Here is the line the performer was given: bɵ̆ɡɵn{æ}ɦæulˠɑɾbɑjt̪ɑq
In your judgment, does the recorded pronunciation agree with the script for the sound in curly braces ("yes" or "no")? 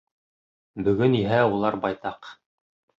no